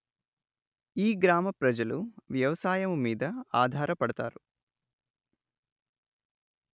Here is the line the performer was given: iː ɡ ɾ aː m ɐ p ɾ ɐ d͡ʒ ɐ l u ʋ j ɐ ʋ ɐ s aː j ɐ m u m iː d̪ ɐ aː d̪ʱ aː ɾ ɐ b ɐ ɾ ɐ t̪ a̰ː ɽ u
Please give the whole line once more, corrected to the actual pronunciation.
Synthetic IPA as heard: iː ɡ ɾ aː m ɐ p ɾ ɐ d͡ʒ ɐ l u ʋ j ɐ ʋ ɐ s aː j ɐ m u m iː d̪ ɐ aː d̪ʱ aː ɾ ɐ p ɐ ɽ ɐ t̪ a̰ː ɾ u